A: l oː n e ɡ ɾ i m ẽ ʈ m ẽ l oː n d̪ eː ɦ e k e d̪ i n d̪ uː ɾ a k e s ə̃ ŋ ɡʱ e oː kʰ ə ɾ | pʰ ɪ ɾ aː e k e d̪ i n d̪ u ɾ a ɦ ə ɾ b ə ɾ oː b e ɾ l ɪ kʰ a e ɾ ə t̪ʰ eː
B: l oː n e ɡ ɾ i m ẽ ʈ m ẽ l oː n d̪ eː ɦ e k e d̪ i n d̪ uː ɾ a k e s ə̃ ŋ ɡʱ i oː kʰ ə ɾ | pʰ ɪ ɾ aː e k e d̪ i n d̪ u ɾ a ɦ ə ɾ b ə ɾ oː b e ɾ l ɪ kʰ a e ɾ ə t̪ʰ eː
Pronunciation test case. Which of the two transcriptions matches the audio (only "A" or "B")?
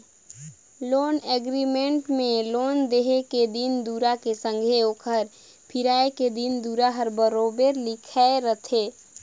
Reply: A